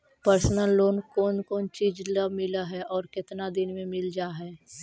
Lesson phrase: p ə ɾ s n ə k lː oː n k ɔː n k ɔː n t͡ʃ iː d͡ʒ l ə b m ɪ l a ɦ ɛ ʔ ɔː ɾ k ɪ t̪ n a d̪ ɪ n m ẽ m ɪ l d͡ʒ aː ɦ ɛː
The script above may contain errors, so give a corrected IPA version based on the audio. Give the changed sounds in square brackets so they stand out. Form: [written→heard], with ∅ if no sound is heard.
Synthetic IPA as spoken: p ə ɾ s n ə [k→∅] lː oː n k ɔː n k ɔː n t͡ʃ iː d͡ʒ l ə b m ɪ l a ɦ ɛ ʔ ɔː ɾ k ɪ t̪ n a d̪ ɪ n m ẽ m ɪ l d͡ʒ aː ɦ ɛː